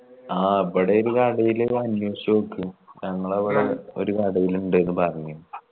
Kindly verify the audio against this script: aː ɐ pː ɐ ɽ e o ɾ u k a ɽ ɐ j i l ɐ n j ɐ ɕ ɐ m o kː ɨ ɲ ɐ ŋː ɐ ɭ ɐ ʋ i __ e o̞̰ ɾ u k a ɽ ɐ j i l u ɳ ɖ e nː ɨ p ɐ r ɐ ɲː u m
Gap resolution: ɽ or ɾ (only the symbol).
ɽ